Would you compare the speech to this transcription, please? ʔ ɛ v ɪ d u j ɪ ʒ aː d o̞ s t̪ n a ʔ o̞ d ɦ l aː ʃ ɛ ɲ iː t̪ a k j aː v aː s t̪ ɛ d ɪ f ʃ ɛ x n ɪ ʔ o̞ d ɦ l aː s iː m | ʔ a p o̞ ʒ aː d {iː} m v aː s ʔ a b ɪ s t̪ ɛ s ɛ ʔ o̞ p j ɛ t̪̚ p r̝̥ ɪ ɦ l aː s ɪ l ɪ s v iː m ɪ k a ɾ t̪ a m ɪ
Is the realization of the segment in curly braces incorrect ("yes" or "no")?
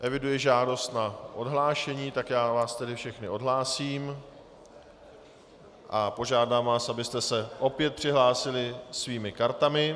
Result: yes